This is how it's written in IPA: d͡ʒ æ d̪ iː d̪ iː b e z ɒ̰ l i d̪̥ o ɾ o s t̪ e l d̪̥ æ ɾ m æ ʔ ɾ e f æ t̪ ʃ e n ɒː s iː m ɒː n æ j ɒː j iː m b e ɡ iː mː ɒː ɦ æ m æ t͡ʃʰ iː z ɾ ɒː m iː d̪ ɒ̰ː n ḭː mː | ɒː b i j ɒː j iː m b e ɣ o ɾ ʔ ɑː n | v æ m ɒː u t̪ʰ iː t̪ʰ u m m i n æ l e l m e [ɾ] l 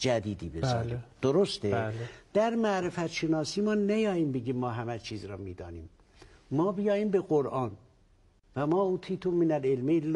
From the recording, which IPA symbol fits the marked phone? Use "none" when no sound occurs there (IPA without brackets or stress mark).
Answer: none